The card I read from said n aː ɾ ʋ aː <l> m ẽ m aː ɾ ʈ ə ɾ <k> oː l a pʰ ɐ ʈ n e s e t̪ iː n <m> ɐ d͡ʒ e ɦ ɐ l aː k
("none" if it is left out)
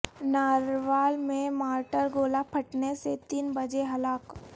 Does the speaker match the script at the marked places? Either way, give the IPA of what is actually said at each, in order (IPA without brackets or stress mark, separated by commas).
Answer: l, ɡ, b